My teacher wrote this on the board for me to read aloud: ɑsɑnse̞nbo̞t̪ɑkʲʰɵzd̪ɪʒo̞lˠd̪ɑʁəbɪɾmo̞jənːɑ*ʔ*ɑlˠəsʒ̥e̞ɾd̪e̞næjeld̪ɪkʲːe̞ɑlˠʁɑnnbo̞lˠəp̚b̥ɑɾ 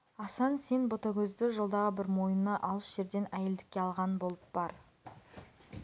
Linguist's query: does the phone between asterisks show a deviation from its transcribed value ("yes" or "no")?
no